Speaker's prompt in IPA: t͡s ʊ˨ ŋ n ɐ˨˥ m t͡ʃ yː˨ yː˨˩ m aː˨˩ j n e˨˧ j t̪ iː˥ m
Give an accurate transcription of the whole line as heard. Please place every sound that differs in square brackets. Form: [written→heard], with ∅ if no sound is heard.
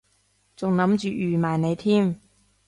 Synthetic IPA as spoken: t͡s ʊ˨ ŋ n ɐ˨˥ m t͡ʃ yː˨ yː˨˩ m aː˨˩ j n e˨˧ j [t̪→t̪ʰ] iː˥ m

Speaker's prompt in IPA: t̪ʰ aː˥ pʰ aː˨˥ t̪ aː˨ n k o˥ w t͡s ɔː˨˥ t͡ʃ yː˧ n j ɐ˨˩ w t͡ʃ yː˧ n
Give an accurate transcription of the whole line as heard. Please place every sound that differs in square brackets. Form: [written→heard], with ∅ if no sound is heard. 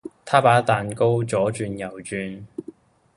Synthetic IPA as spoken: t̪ʰ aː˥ [pʰ→p] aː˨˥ t̪ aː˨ n k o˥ w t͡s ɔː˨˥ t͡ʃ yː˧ n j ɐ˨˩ w t͡ʃ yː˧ n

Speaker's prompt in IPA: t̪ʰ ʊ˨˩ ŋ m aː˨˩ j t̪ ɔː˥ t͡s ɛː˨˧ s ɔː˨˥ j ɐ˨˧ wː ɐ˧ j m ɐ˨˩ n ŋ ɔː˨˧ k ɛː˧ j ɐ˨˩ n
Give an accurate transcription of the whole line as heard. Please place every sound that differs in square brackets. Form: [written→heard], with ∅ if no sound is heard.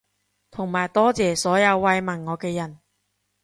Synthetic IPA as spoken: t̪ʰ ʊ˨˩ ŋ m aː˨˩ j t̪ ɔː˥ t͡s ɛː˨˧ s ɔː˨˥ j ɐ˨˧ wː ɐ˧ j m ɐ˨˩ n ŋ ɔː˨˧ k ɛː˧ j ɐ˨˩ n

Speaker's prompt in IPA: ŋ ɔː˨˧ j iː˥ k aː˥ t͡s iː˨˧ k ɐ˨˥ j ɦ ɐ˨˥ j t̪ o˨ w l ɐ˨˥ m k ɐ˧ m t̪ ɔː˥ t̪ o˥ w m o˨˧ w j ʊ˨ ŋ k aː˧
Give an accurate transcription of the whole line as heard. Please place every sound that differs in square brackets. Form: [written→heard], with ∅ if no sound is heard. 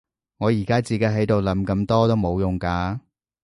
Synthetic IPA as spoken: ŋ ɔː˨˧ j [iː˥→iː˨˩] k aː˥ t͡s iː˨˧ k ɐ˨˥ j ɦ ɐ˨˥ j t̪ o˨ w l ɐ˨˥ m k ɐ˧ m t̪ ɔː˥ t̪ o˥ w m o˨˧ w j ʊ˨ ŋ k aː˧

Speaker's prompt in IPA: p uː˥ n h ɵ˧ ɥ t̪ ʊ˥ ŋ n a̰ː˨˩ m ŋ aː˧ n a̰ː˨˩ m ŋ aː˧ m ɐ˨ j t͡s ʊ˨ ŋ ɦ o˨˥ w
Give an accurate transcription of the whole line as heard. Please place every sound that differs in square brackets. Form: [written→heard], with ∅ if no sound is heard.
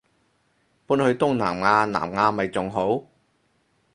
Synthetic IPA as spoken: p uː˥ n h ɵ˧ ɥ t̪ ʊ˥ ŋ n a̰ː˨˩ m ŋ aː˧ n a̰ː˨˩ m ŋ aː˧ m ɐ˨ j t͡s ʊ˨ ŋ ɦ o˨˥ w

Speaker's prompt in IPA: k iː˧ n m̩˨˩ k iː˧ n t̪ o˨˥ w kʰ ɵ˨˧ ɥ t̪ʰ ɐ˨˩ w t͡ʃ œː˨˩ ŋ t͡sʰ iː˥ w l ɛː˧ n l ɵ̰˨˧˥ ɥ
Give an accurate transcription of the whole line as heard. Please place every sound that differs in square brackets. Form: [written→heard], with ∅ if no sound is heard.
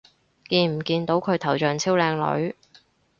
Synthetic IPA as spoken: k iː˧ n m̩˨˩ k iː˧ n t̪ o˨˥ w kʰ ɵ˨˧ ɥ t̪ʰ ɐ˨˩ w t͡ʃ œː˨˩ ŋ t͡sʰ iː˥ w l ɛː˧ [n→ŋ] l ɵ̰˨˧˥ ɥ

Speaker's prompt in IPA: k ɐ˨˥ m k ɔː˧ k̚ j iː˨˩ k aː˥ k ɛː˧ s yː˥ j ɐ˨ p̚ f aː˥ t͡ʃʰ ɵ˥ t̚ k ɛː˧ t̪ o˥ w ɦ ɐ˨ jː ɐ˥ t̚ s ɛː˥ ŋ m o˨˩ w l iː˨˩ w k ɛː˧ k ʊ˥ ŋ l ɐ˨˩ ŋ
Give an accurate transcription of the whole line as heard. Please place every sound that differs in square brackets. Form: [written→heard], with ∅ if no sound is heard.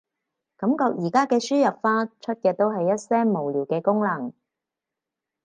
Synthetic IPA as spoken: k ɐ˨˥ m k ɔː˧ k̚ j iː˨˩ k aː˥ k ɛː˧ s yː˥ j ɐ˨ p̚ f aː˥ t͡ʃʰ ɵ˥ t̚ k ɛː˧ t̪ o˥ w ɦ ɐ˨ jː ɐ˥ t̚ s ɛː˥ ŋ m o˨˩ w l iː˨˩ w k ɛː˧ k ʊ˥ ŋ l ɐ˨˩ ŋ

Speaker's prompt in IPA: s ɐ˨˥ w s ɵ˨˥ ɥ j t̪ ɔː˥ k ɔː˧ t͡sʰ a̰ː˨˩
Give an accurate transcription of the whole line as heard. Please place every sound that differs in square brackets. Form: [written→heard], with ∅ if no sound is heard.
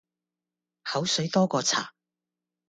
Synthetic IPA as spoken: [s→h] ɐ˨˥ w s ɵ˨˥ ɥ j t̪ ɔː˥ k ɔː˧ t͡sʰ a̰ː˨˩

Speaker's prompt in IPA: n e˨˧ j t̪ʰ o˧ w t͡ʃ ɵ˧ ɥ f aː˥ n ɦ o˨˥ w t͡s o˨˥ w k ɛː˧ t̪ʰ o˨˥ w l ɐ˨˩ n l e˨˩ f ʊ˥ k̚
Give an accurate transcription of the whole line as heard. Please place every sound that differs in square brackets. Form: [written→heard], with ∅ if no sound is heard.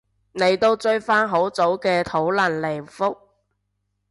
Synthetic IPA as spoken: n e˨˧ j [t̪ʰ→t̪] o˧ w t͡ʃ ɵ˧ ɥ f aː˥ n ɦ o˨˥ w t͡s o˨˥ w k ɛː˧ t̪ʰ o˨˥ w l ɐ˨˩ n l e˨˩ f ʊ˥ k̚

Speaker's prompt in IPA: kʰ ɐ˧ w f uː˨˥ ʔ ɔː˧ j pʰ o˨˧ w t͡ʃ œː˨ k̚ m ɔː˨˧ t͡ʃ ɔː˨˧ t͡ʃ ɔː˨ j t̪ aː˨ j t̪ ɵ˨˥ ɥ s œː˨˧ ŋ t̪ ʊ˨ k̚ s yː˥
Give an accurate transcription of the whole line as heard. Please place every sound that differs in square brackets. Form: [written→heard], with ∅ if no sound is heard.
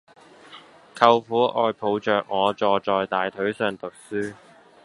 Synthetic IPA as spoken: kʰ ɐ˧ w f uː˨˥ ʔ ɔː˧ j pʰ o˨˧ w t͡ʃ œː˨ k̚ [m→ŋ] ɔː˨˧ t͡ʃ ɔː˨˧ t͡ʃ ɔː˨ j t̪ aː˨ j [t̪→t̪ʰ] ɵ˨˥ ɥ s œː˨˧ ŋ t̪ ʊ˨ k̚ s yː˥

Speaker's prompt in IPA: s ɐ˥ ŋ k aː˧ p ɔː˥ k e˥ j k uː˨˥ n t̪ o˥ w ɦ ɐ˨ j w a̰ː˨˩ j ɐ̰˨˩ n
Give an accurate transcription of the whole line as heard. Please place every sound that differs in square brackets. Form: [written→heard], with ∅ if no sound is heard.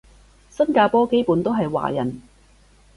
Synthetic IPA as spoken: s ɐ˥ [ŋ→n] k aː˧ p ɔː˥ k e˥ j [k→p] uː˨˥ n t̪ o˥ w ɦ ɐ˨ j w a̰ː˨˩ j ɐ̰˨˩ n

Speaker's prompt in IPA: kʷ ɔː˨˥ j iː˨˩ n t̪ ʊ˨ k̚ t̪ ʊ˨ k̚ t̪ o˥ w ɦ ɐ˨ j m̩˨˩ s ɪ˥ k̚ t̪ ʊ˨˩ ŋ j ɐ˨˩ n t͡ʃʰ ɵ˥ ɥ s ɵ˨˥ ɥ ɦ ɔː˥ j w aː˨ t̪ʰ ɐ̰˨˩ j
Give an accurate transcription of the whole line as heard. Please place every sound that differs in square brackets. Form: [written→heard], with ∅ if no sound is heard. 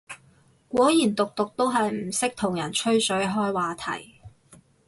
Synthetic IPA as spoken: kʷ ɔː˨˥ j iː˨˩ n t̪ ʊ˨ k̚ t̪ ʊ˨ k̚ t̪ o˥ w ɦ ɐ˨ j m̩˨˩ s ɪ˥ k̚ [t̪→t̪ʰ] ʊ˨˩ ŋ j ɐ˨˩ n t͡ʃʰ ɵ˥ ɥ s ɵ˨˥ ɥ ɦ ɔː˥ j w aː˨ t̪ʰ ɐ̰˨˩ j

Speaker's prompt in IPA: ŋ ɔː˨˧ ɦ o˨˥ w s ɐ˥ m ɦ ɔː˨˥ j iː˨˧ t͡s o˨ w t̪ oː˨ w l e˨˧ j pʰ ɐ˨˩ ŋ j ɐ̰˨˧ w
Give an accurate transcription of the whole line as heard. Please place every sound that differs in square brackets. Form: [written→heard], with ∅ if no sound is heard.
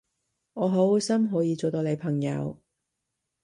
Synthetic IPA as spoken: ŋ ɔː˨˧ ɦ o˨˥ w s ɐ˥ m ɦ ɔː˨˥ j iː˨˧ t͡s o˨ w t̪ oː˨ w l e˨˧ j pʰ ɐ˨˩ ŋ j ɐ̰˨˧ w

